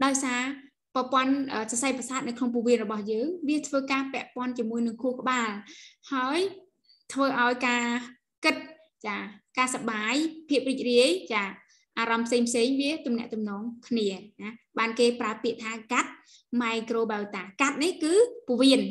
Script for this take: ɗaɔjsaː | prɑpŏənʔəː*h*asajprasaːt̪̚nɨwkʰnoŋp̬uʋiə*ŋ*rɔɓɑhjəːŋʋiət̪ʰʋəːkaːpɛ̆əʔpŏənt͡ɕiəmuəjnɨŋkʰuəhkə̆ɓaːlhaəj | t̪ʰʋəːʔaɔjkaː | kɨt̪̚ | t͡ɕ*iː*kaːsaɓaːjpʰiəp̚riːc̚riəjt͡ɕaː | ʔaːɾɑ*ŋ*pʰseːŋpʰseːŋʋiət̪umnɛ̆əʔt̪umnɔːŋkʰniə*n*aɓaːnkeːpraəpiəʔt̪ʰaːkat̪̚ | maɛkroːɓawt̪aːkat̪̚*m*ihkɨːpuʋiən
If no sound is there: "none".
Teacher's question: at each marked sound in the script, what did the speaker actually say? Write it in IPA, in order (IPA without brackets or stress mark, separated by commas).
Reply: s, n, aː, m, n, n